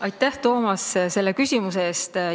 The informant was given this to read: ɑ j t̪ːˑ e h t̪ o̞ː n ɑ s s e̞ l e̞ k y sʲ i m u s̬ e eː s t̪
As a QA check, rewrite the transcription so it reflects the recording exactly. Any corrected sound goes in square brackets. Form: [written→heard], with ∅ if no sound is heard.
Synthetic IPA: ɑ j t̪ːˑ [e→æ] h t̪ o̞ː [n→m] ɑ s s e̞ [l→lː] e̞ k y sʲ i m u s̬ e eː s t̪